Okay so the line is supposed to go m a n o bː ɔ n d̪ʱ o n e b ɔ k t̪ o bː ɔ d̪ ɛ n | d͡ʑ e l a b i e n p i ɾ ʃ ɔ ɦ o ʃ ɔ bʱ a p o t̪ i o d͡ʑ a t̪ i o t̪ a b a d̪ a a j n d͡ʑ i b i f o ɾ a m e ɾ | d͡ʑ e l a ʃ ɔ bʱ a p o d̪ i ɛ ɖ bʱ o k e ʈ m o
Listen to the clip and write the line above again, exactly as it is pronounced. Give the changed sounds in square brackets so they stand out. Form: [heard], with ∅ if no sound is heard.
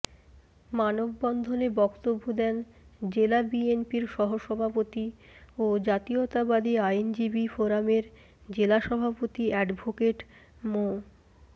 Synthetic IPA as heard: m a n o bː ɔ n d̪ʱ o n e b ɔ k t̪ o bː [o] d̪ ɛ n | d͡ʑ e l a b i e n p i ɾ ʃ ɔ ɦ o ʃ ɔ bʱ a p o t̪ i o d͡ʑ a t̪ i o t̪ a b a d̪ [i] a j n d͡ʑ i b i f o ɾ a m e ɾ | d͡ʑ e l a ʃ ɔ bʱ a p o [t̪] i ɛ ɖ bʱ o k e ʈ m o

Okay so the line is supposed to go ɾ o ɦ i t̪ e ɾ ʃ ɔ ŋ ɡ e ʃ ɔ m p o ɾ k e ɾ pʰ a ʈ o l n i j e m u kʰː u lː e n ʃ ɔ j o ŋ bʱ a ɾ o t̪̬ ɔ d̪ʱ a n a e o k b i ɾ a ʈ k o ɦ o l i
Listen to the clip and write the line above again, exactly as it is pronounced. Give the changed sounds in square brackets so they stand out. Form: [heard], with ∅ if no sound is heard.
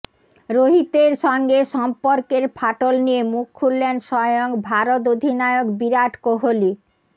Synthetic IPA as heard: ɾ o ɦ i t̪ e ɾ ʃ ɔ ŋ ɡ e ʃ ɔ m p o ɾ k e ɾ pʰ a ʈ o l n i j e m u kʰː u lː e n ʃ ɔ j o ŋ bʱ a ɾ o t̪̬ [o] d̪ʱ [i] n a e o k b i ɾ a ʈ k o ɦ o l i

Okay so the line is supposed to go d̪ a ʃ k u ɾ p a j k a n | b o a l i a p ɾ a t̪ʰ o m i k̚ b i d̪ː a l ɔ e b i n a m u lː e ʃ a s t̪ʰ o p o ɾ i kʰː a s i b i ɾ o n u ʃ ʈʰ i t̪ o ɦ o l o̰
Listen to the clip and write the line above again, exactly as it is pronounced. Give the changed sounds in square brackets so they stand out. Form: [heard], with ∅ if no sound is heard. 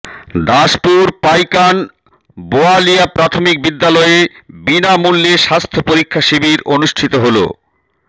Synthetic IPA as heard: d̪ a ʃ [p] u ɾ p a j k a n | b o a l i a p ɾ a t̪ʰ o m i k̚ b i d̪ː a l ɔ e b i n a m u lː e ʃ a s t̪ʰ o p o ɾ i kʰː a [ʃ] i b i ɾ o n u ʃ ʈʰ i t̪ o ɦ o l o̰

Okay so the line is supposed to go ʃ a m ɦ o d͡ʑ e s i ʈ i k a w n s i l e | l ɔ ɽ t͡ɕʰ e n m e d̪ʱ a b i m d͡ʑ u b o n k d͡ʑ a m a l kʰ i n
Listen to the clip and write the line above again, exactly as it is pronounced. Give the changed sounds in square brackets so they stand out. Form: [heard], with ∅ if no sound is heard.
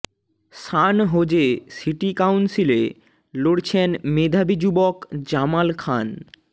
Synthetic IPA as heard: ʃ a [n] ɦ o d͡ʑ e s i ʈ i k a w n s i l e | l [o] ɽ t͡ɕʰ e n m e d̪ʱ a b i [∅] d͡ʑ u b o [∅] k d͡ʑ a m a l kʰ [a] n

